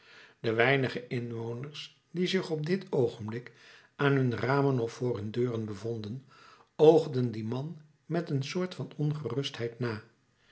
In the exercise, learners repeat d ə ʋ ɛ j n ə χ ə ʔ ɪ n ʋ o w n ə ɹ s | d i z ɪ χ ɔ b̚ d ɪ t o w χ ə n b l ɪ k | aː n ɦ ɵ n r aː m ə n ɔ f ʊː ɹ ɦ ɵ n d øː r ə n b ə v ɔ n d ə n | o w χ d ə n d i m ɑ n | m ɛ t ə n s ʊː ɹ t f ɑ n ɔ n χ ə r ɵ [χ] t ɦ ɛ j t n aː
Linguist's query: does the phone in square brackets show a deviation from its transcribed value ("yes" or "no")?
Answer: yes